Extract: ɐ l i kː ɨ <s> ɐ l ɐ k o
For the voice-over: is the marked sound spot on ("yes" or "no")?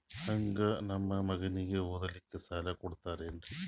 yes